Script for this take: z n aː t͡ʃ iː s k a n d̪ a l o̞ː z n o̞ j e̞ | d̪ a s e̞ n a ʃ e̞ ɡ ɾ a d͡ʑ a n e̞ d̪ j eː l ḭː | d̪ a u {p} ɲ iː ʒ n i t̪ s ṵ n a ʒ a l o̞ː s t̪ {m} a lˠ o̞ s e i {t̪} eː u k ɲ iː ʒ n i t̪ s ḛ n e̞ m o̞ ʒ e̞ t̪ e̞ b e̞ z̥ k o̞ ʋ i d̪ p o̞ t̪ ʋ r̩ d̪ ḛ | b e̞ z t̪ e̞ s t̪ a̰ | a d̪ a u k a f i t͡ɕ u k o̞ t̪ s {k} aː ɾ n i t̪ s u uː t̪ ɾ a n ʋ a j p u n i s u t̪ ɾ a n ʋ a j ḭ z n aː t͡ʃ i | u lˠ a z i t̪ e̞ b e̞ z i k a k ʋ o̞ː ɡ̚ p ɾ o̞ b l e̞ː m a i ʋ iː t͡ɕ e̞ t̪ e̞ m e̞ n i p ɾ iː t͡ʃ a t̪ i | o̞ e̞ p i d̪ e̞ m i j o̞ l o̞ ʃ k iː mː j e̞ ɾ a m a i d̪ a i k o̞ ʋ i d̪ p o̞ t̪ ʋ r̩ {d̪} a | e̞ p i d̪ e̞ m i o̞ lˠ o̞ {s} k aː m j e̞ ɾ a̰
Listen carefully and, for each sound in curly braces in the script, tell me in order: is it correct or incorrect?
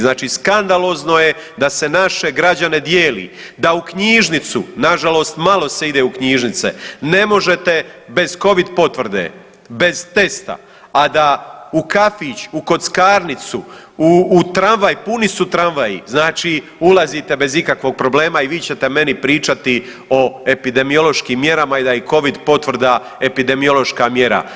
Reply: incorrect: k, correct, incorrect: d̪, correct, correct, incorrect: ʃ

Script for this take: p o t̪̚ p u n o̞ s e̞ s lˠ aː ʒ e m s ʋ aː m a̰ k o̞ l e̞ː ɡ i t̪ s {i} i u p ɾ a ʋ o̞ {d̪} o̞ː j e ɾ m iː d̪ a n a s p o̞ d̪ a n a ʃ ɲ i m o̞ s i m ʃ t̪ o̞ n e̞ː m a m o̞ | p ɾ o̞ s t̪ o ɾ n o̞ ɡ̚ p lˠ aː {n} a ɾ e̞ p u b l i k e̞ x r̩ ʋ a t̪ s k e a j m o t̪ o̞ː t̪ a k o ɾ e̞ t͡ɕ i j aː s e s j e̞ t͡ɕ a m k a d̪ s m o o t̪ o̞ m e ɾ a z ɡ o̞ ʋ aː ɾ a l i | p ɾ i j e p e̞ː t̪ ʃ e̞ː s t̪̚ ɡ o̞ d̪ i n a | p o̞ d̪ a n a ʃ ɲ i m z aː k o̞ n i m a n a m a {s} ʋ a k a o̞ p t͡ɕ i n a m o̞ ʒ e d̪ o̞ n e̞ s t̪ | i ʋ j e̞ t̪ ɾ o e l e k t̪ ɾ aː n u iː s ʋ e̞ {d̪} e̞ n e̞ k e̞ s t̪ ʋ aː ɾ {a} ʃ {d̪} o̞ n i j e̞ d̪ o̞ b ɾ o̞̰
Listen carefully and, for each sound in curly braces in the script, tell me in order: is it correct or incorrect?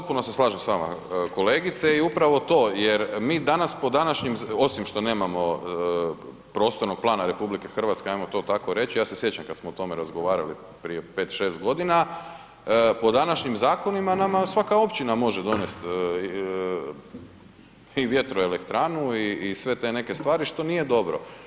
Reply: incorrect: e, incorrect: t̪, correct, correct, incorrect: t̪, incorrect: i, incorrect: t̪

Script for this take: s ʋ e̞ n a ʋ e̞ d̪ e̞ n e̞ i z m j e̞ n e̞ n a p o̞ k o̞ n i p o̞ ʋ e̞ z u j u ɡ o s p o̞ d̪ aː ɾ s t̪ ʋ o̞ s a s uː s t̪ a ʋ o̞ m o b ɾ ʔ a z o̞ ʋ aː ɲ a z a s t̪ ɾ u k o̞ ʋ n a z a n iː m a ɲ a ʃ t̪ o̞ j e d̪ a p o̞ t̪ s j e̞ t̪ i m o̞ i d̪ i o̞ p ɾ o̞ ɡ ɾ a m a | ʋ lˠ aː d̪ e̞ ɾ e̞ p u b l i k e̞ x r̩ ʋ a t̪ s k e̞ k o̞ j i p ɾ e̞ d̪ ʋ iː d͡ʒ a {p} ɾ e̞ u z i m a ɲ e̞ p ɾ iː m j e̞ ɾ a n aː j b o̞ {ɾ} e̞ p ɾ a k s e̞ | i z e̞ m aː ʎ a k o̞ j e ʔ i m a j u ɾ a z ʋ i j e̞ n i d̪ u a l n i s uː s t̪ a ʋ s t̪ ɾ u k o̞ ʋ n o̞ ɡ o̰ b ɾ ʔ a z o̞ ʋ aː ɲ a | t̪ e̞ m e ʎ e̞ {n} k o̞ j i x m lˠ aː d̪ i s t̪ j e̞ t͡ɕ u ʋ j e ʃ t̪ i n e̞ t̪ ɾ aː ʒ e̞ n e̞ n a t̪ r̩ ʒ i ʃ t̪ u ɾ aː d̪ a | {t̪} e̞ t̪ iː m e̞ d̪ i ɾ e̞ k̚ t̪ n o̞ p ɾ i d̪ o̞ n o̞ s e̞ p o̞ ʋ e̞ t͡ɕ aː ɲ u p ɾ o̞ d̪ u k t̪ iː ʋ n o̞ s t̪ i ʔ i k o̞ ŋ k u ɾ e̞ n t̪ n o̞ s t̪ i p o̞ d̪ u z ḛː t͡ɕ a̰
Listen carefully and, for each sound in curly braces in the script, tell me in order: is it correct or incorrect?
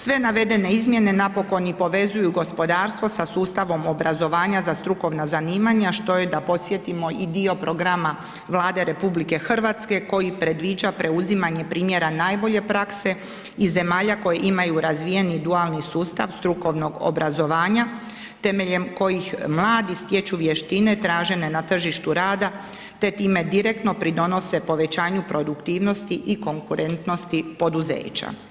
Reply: correct, incorrect: ʎ, incorrect: m, correct

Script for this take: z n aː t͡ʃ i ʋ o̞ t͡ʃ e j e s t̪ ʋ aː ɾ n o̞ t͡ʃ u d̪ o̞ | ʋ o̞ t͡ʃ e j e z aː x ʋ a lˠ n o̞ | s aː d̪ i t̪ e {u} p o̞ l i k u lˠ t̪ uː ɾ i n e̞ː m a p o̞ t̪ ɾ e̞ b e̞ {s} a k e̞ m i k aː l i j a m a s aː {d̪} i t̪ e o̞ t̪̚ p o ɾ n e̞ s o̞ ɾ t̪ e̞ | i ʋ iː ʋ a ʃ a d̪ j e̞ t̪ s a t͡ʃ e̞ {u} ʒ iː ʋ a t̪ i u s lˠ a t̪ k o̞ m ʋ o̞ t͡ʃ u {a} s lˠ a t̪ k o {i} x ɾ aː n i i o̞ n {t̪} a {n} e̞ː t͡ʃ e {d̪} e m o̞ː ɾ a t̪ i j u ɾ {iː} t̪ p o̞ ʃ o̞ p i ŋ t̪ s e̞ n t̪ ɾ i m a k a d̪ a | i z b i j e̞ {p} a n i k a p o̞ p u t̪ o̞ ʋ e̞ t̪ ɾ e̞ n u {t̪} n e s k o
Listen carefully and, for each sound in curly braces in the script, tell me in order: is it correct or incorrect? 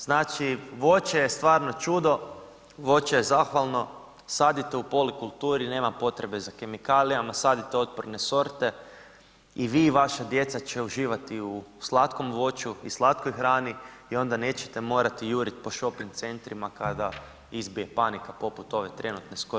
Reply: correct, incorrect: z, correct, correct, incorrect: i, incorrect: j, incorrect: d̪, correct, incorrect: t̪, incorrect: i, correct, correct

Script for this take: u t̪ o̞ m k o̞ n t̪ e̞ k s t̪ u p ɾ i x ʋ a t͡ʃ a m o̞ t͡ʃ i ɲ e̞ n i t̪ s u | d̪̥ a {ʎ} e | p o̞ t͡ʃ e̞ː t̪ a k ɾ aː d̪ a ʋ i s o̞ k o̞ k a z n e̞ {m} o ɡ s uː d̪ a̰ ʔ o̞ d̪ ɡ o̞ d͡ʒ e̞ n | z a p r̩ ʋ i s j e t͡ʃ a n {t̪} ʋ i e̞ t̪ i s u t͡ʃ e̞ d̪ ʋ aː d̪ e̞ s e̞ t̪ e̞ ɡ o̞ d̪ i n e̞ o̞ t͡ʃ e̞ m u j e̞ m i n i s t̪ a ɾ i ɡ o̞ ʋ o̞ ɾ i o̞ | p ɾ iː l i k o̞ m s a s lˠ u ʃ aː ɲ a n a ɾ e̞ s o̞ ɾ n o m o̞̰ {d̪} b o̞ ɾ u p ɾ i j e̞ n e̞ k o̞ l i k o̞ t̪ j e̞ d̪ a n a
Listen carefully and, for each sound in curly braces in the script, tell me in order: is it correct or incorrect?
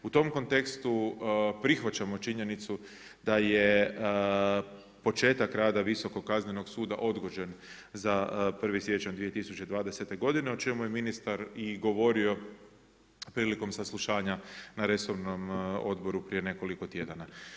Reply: incorrect: j, incorrect: n, incorrect: d̪, correct

